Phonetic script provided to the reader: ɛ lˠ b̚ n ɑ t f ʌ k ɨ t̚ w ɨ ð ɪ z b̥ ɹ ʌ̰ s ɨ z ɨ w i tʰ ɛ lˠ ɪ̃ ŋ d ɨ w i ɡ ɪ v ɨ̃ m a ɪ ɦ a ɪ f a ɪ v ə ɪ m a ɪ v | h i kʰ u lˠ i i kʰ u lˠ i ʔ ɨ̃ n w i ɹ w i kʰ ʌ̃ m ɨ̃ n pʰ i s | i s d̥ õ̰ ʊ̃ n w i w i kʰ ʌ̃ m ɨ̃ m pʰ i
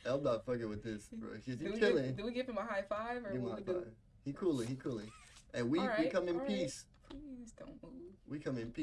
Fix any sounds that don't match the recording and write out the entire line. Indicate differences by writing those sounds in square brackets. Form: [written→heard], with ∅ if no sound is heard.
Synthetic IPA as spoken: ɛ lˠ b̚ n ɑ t f ʌ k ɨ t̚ w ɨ ð ɪ [z→s] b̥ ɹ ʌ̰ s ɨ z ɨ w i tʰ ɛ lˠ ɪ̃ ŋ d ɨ w i ɡ ɪ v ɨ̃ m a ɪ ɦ a ɪ f a ɪ v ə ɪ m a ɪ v | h i kʰ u lˠ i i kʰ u lˠ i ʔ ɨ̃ n w i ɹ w i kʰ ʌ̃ m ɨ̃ n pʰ i s | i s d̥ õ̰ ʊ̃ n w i w i kʰ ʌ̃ m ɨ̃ [m→n] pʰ i